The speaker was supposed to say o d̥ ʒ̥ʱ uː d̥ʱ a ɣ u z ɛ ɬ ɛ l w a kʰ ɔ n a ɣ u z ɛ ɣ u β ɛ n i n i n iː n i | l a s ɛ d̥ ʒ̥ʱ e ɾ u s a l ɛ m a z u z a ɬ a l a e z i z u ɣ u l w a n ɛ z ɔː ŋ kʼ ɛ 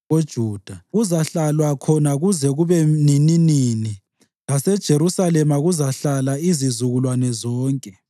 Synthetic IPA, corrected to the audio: o d̥ ʒ̥ʱ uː d̥ʱ a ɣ u z a ɬ a l w a kʰ ɔ n a ɣ u z ɛ ɣ u β ɛ n i n i n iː n i | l a s ɛ d̥ ʒ̥ʱ e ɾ u s a l ɛ m a ɣ u z a ɬ a l a i z i z u ɣ u l w a n ɛ z ɔː ŋ kʼ ɛ